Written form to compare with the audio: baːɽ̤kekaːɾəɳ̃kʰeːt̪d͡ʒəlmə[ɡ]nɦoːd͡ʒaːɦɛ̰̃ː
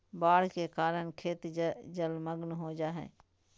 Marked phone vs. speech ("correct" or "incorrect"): correct